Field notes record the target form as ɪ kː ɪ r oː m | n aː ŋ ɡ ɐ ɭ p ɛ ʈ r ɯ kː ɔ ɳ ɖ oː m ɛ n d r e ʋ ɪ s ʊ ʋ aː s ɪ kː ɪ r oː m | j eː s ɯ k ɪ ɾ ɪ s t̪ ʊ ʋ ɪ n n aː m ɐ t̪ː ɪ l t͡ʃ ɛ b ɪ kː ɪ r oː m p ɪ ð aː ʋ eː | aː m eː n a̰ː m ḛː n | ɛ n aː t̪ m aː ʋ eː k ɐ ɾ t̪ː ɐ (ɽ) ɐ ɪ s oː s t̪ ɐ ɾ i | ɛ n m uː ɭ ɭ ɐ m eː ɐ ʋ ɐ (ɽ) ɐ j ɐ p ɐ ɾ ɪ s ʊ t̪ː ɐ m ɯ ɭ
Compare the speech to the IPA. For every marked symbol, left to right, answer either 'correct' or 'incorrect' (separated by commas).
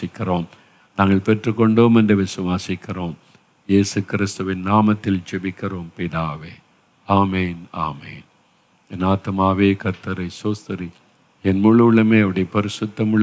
incorrect, correct